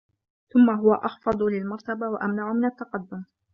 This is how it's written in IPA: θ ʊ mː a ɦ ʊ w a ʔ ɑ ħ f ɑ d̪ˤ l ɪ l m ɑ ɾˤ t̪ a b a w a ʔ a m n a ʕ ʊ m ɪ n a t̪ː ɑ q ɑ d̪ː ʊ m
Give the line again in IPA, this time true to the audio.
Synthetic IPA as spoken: θ ʊ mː a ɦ ʊ w a ʔ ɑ x f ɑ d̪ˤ l ɪ l m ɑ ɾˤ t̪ a b a w a ʔ a m n a ʕ ʊ m ɪ n a t̪ː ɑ q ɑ d̪ː ʊ m